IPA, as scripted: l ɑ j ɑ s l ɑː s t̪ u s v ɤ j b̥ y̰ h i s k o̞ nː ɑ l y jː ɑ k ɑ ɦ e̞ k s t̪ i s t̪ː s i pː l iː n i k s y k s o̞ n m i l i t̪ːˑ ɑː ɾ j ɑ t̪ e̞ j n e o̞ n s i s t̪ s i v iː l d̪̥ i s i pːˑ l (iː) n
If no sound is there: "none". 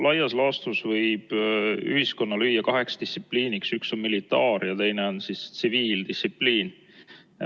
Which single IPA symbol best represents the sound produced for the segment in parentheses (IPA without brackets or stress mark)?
iː